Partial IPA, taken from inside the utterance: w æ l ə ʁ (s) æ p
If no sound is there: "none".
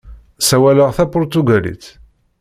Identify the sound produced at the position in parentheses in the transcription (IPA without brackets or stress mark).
θ